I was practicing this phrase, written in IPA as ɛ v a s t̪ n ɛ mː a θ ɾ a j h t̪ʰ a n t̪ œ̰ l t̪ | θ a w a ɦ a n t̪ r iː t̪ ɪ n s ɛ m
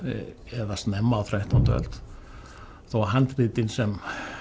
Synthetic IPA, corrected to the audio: ɛ ð a s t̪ n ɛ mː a θ ɾ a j h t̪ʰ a n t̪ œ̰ l t̪ | θ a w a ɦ a n t̪ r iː t̪ ɪ n s ɛ m